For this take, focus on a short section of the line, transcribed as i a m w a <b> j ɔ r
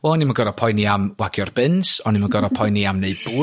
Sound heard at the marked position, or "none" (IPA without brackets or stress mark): ɡ